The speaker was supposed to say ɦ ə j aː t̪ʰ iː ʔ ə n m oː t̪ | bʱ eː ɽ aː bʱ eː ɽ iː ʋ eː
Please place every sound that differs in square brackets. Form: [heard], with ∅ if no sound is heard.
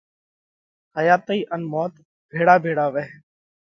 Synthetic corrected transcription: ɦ ə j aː [t̪] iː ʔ ə n m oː t̪ | bʱ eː ɽ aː bʱ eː ɽ [aː] ʋ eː